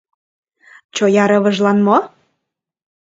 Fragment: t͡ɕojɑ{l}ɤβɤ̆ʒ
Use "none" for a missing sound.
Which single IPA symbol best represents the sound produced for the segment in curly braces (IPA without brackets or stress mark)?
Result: ɾ